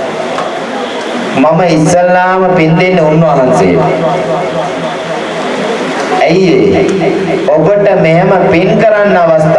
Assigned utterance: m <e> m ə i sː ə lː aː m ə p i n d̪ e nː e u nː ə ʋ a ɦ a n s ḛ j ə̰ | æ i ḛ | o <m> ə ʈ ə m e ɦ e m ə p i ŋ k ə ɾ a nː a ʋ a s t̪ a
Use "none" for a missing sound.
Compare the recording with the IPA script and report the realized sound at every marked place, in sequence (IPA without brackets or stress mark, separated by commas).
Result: a, b